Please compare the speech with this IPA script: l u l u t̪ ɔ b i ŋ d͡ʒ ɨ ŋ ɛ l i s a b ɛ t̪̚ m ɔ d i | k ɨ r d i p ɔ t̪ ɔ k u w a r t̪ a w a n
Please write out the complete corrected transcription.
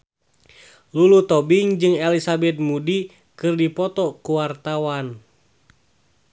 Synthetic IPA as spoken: l u l u t̪ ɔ b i ŋ d͡ʒ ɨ ŋ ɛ l i s a b ɛ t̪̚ m u d i | k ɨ r d i p ɔ t̪ ɔ k u w a r t̪ a w a n

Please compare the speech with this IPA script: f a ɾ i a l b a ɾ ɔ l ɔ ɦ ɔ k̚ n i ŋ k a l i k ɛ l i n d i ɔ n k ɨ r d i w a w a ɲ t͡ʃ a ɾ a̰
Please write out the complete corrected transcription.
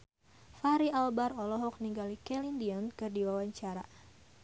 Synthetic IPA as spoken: f a ɾ i a l b a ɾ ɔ l ɔ ɦ ɔ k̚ n i ŋ ɡ a l i k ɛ l i n d i ɔ n k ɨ r d i w a w a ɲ t͡ʃ a ɾ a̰

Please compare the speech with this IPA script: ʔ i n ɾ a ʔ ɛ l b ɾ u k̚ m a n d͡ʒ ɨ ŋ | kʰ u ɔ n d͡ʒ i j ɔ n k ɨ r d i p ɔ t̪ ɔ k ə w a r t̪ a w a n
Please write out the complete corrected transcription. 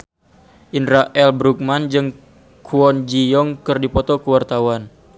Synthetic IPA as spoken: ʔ i n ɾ a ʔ ɛ l b ɾ u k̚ m a n d͡ʒ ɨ ŋ | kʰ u ɔ n d͡ʒ i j ɔ ŋ k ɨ r d i p ɔ t̪ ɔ k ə w a r t̪ a w a n

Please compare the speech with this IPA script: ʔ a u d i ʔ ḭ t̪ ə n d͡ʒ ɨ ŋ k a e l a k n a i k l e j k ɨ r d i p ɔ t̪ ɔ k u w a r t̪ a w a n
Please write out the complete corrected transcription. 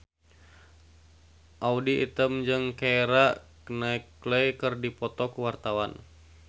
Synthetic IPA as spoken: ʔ a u d i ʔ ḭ t̪ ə m d͡ʒ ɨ ŋ k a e ɾ a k n a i k l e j k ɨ r d i p ɔ t̪ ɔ k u w a r t̪ a w a n

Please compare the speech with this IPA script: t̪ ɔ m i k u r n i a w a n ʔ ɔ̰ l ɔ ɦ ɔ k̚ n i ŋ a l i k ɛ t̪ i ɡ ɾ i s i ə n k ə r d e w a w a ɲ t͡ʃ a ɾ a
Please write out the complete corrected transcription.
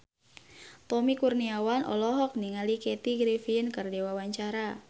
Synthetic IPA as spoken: t̪ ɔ m i k u r n i a w a n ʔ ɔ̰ l ɔ ɦ ɔ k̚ n i ŋ a l i k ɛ t̪ i ɡ ɾ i f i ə n k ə r d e w a w a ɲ t͡ʃ a ɾ a

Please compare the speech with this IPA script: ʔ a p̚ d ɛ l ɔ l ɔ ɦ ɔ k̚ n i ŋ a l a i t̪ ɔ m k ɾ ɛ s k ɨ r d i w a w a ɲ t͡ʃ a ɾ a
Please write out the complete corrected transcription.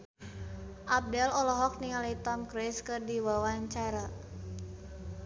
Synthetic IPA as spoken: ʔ a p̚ d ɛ l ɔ l ɔ ɦ ɔ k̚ n i ŋ a l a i t̪ ɔ m k ɾ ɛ s k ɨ r d i w a w a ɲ t͡ʃ a ɾ a

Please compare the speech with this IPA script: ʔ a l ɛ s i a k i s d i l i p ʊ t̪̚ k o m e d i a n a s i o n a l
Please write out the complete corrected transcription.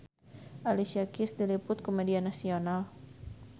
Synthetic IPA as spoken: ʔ a l i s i a k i s d i l i p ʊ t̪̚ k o m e d i a n a s i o n a l

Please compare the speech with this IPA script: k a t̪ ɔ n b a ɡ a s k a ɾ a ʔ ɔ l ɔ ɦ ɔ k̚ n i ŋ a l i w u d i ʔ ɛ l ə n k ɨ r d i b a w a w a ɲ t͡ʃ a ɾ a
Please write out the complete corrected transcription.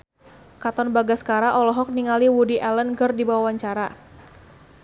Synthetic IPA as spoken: k a t̪ ɔ n b a ɡ a s k a ɾ a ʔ ɔ l ɔ ɦ ɔ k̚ n i ŋ a l i w u d i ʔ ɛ l ə n k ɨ r d i b a w a w a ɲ t͡ʃ a ɾ a

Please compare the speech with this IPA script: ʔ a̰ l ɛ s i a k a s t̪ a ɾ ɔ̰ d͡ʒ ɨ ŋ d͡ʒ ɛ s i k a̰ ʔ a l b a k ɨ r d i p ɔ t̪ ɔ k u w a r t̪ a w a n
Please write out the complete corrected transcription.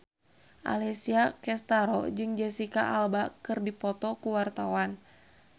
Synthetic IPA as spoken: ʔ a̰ l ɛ s i a k ɛ s t̪ a ɾ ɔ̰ d͡ʒ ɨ ŋ d͡ʒ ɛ s i k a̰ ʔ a l b a k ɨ r d i p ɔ t̪ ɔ k u w a r t̪ a w a n

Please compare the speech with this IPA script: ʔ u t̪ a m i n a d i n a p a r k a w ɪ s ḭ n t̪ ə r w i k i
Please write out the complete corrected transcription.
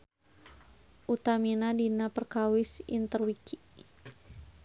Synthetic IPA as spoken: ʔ u t̪ a m i n a d i n a p ə r k a w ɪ s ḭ n t̪ ə r w i k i

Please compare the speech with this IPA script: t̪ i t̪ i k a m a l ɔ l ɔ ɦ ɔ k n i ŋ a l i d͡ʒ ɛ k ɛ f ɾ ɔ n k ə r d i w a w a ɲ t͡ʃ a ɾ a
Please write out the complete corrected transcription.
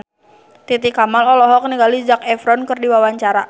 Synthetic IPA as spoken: t̪ i t̪ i k a m a l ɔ l ɔ ɦ ɔ k n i ɡ a l i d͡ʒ a k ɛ f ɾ ɔ n k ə r d i w a w a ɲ t͡ʃ a ɾ a

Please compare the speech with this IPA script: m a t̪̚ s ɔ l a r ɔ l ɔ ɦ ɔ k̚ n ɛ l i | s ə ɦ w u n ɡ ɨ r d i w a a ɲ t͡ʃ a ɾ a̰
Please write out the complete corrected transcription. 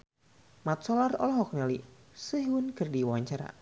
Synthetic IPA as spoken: m a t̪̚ s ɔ l a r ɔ l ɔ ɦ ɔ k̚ n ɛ l i | s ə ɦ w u n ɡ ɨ r d i w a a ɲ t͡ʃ a ɾ a̰

